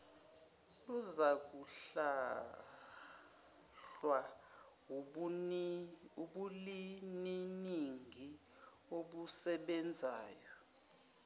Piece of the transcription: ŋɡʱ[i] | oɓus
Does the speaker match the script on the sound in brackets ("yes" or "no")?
yes